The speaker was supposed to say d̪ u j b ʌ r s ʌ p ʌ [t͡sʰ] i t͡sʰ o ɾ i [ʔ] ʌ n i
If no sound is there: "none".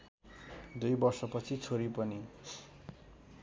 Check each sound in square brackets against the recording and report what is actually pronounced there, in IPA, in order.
t͡sʰ, p

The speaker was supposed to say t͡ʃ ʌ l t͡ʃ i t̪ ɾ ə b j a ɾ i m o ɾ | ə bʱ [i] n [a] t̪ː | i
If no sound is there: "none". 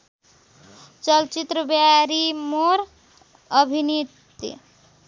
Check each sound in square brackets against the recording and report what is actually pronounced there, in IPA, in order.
i, i

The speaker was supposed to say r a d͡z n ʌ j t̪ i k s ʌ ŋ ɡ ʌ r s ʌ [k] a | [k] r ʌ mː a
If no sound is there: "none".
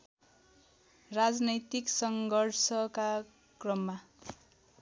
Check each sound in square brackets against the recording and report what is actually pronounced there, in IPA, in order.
k, k

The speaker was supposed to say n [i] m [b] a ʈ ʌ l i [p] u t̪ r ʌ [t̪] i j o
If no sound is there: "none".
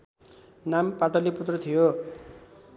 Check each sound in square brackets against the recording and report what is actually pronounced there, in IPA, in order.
a, p, p, t̪ʰ

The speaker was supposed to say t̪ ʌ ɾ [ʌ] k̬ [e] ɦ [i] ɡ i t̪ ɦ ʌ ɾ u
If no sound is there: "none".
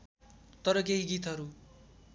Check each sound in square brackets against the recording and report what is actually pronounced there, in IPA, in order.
ʌ, e, i

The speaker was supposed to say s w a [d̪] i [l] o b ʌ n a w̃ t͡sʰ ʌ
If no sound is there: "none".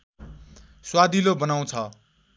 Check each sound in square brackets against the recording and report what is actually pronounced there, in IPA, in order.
d̪, l

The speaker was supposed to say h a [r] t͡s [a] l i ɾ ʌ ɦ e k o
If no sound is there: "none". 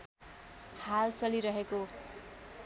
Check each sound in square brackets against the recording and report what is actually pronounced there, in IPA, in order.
l, ʌ

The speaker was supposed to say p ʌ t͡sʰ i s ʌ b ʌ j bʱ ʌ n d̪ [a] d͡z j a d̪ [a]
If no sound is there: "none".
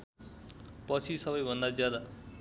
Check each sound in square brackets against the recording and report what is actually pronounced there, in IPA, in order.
a, a

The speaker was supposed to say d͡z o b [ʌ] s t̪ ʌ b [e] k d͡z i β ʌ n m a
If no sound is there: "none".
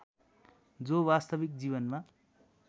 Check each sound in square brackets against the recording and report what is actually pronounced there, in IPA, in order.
a, i

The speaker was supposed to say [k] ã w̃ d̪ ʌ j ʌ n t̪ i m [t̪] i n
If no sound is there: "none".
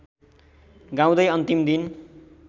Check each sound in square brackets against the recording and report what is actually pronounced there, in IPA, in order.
ɡ, d̪

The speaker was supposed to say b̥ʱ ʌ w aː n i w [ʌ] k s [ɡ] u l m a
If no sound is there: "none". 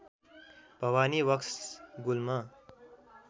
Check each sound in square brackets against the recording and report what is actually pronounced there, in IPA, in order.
ʌ, ɡ

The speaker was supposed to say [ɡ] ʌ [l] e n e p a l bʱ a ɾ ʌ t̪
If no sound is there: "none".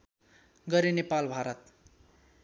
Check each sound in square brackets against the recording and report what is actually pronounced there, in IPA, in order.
ɡ, ɾ

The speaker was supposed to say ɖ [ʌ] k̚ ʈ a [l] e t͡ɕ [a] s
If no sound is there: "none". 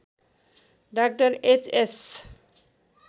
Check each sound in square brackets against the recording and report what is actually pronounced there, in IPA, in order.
a, ɾ, e

